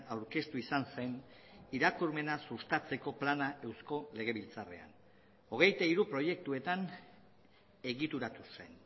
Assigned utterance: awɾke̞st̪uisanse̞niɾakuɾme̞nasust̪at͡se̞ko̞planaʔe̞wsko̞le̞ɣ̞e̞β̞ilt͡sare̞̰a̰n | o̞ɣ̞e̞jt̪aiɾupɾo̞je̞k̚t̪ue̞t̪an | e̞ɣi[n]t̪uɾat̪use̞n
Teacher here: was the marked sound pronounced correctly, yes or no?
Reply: no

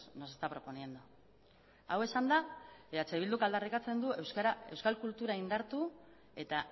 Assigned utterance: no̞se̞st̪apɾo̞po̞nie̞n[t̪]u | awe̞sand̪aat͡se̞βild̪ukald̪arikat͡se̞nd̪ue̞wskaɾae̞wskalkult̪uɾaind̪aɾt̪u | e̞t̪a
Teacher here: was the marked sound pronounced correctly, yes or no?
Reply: no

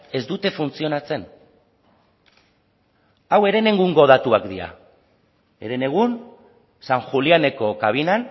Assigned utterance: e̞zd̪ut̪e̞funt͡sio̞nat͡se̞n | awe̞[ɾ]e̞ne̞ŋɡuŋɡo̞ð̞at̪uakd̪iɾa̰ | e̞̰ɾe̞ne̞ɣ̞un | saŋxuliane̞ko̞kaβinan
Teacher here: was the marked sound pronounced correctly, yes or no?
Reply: yes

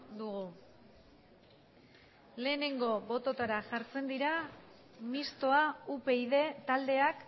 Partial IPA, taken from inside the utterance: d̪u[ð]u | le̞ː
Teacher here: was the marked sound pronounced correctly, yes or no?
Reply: no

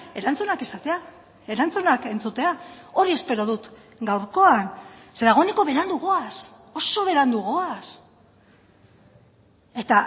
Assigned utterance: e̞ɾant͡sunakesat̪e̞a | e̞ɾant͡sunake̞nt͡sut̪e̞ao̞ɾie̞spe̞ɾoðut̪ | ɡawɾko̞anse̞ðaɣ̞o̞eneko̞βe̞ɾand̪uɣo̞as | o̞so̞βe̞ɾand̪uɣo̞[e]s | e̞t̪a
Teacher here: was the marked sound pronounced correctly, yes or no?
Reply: no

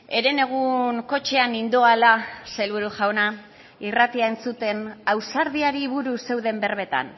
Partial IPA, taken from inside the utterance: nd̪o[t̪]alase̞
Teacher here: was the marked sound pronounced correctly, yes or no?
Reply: no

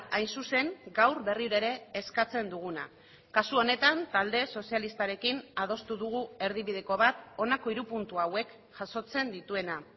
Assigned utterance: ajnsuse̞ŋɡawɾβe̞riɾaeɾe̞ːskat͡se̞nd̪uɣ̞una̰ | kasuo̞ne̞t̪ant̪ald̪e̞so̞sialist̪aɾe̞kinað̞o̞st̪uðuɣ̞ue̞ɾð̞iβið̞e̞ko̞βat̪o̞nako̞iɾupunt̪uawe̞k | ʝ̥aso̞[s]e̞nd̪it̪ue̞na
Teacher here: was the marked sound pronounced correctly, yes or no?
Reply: no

